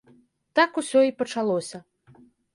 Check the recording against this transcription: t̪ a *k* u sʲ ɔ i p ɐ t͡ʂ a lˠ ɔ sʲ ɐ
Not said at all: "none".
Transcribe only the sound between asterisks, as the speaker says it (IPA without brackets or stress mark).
k